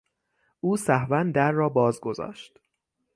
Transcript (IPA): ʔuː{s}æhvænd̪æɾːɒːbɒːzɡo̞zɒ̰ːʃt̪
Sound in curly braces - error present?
no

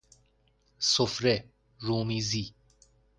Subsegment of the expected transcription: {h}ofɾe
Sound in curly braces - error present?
yes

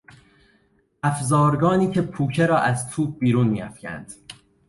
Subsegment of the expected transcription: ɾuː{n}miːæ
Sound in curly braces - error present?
no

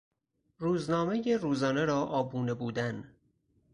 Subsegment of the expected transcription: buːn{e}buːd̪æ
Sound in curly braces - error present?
no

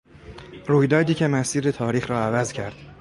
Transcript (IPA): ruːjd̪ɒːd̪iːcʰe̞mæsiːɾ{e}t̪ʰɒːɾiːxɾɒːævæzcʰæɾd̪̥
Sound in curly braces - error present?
no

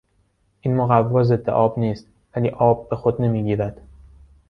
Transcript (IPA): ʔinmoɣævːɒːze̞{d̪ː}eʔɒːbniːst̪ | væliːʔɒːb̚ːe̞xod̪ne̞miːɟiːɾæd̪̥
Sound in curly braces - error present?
no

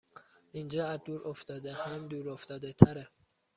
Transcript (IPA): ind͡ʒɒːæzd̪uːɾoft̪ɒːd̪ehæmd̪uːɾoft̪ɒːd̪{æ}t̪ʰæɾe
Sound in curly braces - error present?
yes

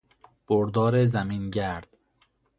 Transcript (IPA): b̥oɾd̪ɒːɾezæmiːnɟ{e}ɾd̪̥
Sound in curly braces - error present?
yes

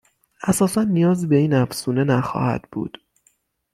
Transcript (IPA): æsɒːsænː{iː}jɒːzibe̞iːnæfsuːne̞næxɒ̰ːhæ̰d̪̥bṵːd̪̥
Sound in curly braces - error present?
yes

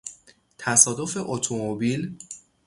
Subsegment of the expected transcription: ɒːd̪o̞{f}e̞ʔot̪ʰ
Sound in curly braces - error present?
no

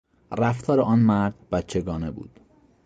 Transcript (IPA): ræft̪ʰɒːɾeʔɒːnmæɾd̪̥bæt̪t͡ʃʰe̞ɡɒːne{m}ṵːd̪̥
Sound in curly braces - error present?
yes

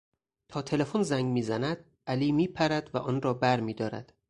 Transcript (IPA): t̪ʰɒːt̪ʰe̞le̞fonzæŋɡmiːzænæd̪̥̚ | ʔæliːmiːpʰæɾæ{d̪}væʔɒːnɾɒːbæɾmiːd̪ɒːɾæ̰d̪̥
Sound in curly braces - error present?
no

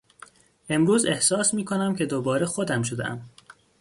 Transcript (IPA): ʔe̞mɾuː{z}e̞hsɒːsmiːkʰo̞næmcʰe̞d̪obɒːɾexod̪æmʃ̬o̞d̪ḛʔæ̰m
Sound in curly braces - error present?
no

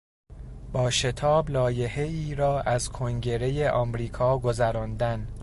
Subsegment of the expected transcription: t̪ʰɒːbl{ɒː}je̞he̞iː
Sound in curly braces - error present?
no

